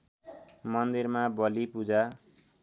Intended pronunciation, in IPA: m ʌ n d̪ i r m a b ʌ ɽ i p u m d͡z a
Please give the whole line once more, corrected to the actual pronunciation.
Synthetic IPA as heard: m ʌ n d̪ i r m a b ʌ l i p u d͡z a